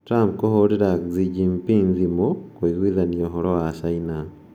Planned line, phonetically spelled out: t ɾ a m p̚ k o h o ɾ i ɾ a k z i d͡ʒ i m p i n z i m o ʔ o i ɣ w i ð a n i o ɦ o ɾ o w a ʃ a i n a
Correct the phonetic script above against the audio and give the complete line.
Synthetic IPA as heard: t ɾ a m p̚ k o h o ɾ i ɾ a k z i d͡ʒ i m p i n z i m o k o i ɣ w i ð a n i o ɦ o ɾ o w a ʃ a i n a